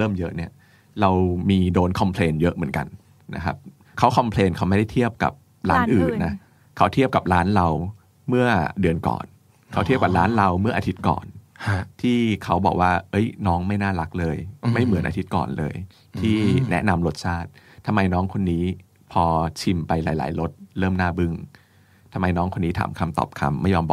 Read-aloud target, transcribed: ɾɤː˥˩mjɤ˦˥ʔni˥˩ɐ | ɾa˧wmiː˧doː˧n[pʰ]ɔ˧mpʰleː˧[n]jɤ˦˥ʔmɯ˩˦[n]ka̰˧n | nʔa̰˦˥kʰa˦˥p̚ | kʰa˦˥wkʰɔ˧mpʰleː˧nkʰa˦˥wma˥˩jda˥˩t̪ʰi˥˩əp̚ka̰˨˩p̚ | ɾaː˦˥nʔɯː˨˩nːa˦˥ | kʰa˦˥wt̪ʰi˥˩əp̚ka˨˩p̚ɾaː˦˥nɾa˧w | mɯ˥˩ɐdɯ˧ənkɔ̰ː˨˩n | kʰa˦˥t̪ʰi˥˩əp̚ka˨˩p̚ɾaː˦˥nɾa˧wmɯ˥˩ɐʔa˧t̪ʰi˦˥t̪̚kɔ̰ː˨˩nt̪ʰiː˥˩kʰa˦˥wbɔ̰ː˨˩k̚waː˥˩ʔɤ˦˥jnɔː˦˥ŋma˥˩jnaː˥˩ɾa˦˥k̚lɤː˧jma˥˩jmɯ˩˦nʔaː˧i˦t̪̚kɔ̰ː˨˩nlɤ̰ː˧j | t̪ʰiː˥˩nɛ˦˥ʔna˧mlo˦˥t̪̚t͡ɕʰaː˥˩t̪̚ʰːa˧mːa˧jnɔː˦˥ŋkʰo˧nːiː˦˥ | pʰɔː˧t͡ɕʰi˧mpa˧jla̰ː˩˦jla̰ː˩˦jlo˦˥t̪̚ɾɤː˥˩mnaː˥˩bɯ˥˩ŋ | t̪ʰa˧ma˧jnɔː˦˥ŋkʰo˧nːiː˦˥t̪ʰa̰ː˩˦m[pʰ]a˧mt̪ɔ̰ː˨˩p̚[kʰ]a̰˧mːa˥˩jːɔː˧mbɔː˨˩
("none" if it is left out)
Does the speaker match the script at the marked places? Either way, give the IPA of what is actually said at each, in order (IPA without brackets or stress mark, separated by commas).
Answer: kʰ, n, n, kʰ, kʰ